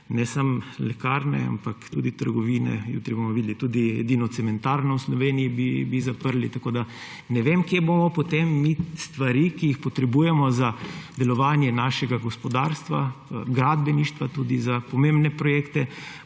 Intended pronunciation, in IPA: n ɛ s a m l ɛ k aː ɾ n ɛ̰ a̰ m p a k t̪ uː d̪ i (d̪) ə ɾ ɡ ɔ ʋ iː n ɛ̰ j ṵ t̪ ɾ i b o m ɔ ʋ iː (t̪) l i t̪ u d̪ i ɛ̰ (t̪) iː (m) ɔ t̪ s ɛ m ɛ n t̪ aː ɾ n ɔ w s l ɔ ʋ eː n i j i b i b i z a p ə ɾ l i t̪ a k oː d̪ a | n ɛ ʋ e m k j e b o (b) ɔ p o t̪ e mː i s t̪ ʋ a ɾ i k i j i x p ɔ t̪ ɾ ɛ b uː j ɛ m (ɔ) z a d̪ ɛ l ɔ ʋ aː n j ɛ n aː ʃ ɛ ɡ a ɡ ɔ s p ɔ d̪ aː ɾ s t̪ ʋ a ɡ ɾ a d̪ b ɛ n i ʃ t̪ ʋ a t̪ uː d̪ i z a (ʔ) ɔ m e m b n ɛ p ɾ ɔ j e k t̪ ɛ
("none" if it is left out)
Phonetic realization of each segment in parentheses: t̪, d̪, d̪, n, m, ɔ, p

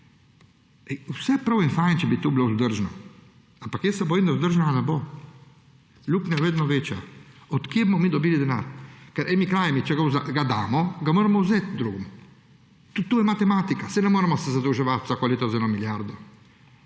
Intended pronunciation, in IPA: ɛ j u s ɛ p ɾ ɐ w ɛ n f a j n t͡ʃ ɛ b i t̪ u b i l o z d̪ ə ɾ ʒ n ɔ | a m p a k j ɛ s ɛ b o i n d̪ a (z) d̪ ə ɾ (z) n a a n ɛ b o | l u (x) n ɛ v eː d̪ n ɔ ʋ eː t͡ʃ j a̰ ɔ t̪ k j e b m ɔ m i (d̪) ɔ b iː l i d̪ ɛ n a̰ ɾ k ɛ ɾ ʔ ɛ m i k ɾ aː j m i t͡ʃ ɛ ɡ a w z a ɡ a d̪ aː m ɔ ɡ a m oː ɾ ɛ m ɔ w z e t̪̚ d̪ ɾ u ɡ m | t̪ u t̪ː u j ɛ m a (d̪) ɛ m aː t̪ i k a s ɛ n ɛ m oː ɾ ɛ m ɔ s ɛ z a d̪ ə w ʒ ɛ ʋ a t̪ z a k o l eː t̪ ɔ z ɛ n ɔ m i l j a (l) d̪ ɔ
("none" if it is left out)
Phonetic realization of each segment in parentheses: z, ʒ, k, d̪, t̪, ɾ

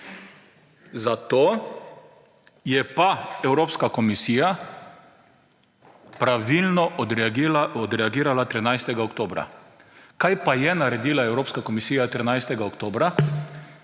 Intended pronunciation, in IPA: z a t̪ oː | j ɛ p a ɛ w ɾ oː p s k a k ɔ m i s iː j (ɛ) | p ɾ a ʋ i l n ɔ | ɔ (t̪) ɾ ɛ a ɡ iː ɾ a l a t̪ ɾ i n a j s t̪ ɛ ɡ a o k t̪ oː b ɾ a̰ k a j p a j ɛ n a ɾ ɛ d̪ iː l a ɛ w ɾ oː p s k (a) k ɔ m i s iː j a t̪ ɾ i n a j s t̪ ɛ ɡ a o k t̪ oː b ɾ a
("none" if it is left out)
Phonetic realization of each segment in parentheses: a, d̪, a

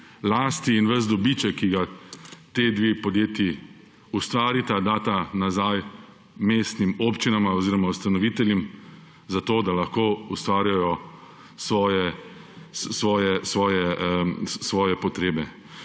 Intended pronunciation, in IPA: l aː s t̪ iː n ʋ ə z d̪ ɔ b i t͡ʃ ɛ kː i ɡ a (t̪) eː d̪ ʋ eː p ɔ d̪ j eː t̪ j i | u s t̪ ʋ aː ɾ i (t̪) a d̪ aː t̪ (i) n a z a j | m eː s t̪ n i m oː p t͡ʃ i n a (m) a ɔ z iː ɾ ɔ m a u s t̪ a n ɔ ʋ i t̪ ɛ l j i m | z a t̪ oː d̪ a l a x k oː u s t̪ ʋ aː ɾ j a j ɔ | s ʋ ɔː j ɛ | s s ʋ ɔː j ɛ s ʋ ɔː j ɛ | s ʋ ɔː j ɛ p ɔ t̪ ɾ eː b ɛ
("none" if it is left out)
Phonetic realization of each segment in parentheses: t̪, t̪, a, m

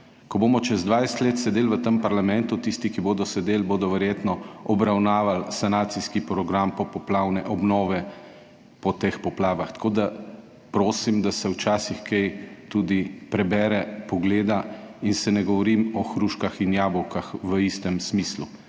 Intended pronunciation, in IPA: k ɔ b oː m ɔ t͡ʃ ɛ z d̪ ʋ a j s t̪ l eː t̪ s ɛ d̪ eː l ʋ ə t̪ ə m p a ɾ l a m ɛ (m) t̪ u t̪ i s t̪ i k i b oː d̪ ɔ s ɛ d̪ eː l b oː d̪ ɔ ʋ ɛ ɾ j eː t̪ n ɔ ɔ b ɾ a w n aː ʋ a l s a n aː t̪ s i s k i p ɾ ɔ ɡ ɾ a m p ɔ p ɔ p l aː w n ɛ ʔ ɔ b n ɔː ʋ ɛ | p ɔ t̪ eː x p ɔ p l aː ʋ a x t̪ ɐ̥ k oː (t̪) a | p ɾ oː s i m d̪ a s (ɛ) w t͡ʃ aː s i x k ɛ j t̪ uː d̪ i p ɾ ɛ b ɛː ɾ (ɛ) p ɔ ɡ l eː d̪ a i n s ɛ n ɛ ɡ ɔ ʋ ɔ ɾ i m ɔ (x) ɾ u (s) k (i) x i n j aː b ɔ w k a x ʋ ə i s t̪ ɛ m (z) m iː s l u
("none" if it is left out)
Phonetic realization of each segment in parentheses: n, d̪, ɛ, ɛ, x, ʃ, a, s

